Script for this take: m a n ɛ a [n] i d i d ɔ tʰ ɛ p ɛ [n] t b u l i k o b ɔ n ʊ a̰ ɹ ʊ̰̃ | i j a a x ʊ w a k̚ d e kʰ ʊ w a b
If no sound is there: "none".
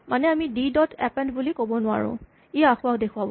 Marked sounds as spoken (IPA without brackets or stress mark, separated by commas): m, n